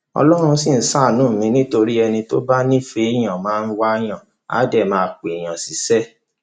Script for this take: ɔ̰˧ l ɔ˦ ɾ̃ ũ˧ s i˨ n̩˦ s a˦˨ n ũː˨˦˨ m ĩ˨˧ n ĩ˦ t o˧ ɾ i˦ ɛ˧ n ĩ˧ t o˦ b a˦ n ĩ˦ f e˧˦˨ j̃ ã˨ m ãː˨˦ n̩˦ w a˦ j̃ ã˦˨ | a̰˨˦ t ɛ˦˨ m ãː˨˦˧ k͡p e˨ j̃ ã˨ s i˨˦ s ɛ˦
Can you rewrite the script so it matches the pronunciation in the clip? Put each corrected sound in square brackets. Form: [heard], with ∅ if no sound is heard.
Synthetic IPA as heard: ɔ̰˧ l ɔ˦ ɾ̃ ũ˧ s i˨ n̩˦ s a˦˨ n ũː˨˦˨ m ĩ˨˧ n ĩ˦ t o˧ ɾ i˦ ɛ˧ n ĩ˧ t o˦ b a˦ n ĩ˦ f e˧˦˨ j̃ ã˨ m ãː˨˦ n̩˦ w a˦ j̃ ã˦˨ | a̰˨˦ [d] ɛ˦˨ m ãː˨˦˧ k͡p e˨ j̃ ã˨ s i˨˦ s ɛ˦